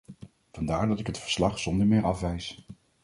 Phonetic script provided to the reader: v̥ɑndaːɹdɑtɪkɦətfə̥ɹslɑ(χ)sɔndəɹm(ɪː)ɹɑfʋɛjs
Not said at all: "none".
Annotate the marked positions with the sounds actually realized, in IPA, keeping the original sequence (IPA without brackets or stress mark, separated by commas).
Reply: χ, ɪː